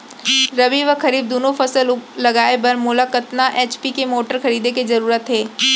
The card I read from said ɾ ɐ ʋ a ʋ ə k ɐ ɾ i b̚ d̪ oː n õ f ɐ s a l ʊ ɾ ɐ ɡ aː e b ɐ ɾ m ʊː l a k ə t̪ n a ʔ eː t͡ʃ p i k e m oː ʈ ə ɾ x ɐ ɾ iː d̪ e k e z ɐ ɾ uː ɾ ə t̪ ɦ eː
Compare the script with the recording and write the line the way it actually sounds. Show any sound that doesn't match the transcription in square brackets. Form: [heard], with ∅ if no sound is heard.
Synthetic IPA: ɾ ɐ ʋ [i] ʋ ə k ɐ ɾ [iː] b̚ d̪ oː n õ f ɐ s [ə] l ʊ [l] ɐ ɡ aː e b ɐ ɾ m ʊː l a k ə t̪ n a ʔ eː t͡ʃ p i k e m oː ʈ ə ɾ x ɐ ɾ iː d̪ e k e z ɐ ɾ uː ɾ ə t̪ ɦ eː